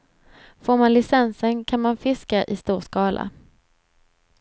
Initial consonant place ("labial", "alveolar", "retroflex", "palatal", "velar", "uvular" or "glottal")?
labial